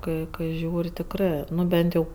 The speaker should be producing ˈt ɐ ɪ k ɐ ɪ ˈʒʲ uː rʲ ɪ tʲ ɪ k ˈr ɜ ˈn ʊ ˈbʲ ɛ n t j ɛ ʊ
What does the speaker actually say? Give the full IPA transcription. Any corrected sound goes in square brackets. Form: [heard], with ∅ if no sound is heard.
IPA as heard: [ˈk] ɐ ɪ k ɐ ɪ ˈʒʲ uː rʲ ɪ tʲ ɪ k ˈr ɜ ˈn ʊ ˈbʲ ɛ n t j ɛ ʊ